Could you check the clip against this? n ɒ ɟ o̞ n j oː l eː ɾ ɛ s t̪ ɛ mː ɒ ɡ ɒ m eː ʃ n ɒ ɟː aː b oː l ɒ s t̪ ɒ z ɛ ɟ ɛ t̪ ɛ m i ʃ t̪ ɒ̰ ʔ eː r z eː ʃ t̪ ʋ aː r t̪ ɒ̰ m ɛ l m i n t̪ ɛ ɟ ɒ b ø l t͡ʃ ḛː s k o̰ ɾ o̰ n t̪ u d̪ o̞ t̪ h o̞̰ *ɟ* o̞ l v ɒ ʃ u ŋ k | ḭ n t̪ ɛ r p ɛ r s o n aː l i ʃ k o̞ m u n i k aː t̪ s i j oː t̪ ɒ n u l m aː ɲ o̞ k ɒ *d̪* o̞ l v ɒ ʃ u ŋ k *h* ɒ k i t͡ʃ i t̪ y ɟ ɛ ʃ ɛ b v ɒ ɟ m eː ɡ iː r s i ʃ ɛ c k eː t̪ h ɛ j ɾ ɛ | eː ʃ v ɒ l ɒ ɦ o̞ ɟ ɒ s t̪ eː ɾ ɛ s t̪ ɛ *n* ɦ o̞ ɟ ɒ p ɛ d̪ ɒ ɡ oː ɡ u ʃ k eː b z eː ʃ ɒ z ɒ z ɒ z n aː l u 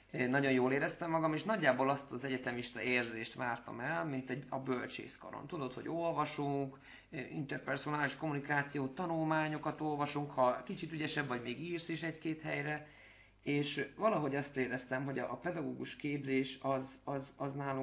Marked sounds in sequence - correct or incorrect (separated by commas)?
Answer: correct, incorrect, correct, incorrect